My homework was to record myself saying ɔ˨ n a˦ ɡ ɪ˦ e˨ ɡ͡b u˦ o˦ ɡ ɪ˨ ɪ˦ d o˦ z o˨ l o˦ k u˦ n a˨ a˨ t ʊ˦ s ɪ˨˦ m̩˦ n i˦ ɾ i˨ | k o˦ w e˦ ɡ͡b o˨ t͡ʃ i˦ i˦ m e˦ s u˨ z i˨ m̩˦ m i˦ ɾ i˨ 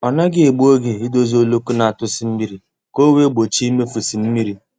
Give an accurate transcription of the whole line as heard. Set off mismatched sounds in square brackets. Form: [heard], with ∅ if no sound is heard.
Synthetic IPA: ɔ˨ n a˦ ɡ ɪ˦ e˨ ɡ͡b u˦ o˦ ɡ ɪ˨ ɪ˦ d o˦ z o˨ l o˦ k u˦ n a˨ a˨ t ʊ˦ s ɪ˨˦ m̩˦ [m] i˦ ɾ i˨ | k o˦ w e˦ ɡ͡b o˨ t͡ʃ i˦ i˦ m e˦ [f] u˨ [s] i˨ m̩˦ m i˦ ɾ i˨

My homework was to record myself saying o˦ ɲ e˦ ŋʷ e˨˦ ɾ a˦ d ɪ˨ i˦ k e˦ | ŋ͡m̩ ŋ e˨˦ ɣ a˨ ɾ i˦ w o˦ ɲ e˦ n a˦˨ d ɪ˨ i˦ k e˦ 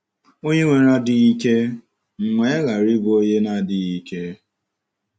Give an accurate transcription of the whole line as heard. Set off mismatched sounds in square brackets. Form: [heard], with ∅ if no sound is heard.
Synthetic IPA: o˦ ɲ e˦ ŋʷ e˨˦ ɾ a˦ d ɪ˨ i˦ k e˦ | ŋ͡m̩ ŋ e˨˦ ɣ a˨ ɾ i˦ [b] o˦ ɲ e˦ n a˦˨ d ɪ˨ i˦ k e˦

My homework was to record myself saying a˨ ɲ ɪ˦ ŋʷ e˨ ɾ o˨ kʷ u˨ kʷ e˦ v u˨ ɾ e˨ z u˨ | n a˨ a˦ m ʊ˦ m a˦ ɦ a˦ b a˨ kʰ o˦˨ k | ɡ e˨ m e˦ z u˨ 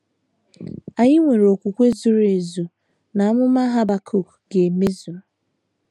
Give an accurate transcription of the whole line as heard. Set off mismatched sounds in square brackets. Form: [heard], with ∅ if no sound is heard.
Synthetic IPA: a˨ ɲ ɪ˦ ŋʷ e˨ ɾ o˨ kʷ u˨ kʷ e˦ [z] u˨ ɾ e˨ z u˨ | n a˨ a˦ m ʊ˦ m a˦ ɦ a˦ b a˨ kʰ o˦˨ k | ɡ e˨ m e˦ z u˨

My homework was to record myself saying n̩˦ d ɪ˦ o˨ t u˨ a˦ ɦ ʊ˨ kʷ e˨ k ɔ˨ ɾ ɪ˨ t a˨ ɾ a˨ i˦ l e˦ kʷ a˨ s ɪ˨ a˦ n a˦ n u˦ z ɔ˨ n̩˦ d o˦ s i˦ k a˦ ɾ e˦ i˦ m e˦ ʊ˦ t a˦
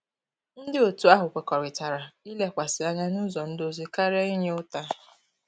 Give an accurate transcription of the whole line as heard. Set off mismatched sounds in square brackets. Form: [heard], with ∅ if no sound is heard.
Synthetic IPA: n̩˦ d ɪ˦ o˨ t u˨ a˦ ɦ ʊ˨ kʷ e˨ k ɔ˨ ɾ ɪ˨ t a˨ ɾ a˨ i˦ l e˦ kʷ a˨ s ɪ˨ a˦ [ɲ] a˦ n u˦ z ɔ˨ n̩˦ d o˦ [z] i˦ k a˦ ɾ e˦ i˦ [ɲ] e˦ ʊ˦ t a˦

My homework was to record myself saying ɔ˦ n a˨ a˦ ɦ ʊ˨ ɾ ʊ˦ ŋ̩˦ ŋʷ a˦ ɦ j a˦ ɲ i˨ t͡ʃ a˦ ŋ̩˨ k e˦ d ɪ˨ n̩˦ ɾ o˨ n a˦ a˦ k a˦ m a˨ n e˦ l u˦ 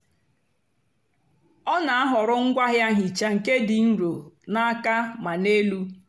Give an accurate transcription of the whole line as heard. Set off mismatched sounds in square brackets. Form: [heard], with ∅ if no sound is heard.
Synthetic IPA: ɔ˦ n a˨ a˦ ɦ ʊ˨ ɾ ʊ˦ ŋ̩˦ [ɡʷ] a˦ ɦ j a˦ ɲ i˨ t͡ʃ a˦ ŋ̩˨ k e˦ d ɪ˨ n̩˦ ɾ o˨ n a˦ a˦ k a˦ m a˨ n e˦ l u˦

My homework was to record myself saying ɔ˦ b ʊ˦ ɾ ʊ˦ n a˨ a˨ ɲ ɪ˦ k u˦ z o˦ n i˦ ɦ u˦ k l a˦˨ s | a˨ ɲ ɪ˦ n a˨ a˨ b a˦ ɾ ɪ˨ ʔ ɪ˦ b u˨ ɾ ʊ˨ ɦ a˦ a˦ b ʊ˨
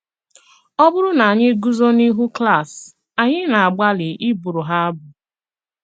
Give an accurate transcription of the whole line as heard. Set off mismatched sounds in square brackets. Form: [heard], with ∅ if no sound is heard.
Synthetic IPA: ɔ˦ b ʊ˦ ɾ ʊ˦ n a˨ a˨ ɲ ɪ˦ [ɡ] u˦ z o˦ n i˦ ɦ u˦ k l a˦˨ s | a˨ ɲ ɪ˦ n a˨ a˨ [ɡ͡b] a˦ [l] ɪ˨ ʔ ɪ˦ b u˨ ɾ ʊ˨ ɦ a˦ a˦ b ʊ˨

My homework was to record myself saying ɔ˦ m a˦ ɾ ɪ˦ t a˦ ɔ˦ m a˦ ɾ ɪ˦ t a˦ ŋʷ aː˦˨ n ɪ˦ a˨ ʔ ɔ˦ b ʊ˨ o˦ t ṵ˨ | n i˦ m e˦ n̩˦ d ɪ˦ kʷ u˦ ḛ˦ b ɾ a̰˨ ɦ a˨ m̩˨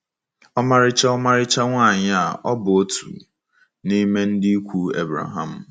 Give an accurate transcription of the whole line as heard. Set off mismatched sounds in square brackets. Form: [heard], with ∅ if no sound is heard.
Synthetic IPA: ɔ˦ m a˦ ɾ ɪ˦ [t͡ʃ] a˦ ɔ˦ m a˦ ɾ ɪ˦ [t͡ʃ] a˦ ŋʷ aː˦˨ [ɲ] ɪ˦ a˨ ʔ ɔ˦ b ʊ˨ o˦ t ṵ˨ | n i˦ m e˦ n̩˦ d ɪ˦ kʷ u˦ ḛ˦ b ɾ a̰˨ ɦ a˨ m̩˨

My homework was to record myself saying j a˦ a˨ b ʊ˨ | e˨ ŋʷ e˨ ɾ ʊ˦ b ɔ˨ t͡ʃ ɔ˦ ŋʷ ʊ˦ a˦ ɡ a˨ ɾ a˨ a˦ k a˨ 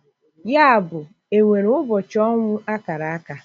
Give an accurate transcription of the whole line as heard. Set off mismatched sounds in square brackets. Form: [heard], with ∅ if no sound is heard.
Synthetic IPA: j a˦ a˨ b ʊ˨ | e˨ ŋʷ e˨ ɾ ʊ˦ b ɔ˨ t͡ʃ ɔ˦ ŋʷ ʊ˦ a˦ [k] a˨ ɾ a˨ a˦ k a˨

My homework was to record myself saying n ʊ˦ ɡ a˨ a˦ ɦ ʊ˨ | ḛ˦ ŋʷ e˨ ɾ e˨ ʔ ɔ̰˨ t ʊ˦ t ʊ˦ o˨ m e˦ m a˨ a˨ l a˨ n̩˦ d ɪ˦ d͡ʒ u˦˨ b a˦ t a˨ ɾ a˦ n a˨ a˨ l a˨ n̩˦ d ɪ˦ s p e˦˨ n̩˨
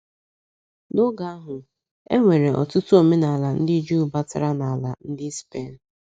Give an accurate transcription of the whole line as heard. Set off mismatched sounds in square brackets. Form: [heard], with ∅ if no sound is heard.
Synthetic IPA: n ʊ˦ ɡ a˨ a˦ ɦ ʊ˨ | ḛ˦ ŋʷ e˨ ɾ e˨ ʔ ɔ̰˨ t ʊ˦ t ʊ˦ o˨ m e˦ [n] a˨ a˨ l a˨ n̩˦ d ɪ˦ d͡ʒ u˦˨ b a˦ t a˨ ɾ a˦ n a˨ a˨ l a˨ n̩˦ d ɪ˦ s p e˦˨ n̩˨

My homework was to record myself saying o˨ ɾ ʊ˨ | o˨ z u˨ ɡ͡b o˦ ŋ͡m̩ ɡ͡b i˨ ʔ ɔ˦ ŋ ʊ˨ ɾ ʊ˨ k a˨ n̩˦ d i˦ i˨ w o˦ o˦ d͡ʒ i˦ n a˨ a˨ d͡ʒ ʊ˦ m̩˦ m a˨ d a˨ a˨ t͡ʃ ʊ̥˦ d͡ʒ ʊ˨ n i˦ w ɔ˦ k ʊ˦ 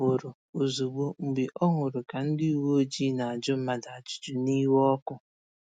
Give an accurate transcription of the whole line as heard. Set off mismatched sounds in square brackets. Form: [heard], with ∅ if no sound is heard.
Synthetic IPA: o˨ ɾ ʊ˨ | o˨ z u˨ ɡ͡b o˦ ŋ͡m̩ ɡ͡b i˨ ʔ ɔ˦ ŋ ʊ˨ ɾ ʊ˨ k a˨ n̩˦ d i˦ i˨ w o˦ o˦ d͡ʒ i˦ n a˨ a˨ d͡ʒ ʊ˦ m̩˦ m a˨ d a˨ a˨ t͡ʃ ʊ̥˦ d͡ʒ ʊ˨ n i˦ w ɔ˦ k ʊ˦

